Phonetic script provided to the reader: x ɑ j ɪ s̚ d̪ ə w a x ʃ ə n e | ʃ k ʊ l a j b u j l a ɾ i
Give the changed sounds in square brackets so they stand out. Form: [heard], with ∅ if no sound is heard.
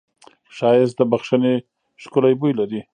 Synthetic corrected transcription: [ʃ] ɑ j ɪ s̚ d̪ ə [b] a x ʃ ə n e | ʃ k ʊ l a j b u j l a ɾ i